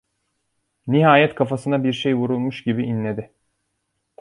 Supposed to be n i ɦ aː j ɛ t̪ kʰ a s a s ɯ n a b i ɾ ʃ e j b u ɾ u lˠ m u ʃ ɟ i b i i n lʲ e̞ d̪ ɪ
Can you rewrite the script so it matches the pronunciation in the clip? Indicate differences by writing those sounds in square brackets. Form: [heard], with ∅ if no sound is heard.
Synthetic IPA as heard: n i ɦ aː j ɛ t̪ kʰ a [f] a s ɯ n a b i ɾ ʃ e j [v] u ɾ u lˠ m u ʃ ɟ i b i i n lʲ e̞ d̪ ɪ

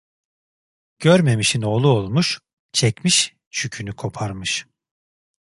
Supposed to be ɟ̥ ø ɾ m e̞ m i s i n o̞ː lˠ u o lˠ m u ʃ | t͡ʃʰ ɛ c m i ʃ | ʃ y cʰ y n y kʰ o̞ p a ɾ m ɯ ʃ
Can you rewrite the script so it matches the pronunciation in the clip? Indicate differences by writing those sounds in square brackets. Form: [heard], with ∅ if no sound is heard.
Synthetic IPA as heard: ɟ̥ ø ɾ m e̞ m i [ʃ] i n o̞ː lˠ u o lˠ m u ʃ | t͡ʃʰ ɛ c m i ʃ | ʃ y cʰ y n y kʰ o̞ [pʰ] a ɾ m ɯ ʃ

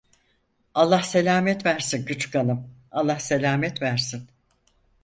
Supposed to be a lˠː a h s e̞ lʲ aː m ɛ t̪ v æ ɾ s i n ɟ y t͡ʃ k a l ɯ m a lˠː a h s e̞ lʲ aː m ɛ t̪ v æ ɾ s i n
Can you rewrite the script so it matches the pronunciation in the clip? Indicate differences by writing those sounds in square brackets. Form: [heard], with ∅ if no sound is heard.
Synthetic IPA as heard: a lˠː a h s e̞ lʲ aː m ɛ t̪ v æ ɾ s i n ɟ y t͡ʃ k a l ɯ m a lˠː a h s e̞ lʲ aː m ɛ t̪ v æ ɾ s i n

